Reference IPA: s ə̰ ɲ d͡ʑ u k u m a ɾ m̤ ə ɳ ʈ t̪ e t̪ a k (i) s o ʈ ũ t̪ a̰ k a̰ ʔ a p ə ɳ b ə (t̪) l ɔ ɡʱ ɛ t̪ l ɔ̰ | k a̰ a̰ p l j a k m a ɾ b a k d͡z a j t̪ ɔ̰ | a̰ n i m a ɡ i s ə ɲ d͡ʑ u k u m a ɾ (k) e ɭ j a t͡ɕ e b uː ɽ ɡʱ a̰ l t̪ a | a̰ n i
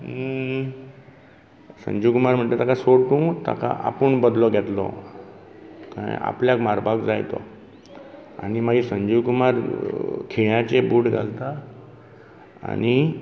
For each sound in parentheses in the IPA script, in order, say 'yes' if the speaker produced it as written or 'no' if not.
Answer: no, no, no

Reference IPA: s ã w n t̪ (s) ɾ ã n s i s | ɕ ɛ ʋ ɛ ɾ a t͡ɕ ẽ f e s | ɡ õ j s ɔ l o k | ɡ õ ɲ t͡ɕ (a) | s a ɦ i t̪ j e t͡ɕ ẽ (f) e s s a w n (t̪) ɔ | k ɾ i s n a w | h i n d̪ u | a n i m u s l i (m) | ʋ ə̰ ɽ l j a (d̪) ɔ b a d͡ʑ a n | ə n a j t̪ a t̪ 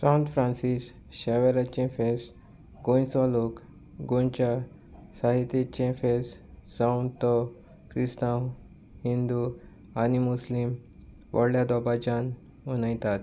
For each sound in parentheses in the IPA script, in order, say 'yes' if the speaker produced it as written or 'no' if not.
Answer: no, yes, yes, yes, yes, yes

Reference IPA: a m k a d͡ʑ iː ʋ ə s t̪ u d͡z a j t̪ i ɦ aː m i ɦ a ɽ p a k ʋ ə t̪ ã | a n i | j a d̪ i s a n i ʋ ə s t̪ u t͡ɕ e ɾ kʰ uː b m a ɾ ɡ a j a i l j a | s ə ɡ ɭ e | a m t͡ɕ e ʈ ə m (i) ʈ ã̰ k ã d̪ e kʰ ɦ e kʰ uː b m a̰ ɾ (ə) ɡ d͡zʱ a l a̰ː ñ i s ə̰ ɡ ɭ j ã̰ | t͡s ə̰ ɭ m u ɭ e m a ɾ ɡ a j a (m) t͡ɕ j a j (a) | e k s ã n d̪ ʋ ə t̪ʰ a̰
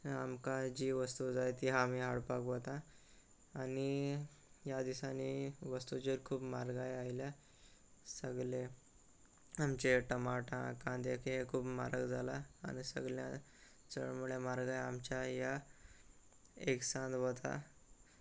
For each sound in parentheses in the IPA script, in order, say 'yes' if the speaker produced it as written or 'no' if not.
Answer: no, yes, yes, yes

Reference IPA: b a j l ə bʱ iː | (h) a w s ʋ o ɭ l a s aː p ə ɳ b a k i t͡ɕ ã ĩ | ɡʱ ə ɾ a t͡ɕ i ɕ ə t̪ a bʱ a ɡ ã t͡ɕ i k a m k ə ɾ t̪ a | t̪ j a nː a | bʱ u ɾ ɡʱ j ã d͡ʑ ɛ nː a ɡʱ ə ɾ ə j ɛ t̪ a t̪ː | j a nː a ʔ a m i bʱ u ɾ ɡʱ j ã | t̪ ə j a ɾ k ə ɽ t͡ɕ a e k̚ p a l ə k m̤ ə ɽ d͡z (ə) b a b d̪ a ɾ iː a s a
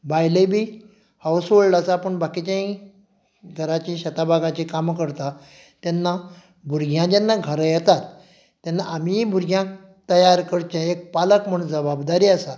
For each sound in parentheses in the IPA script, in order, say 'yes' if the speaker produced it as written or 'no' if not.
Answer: yes, yes

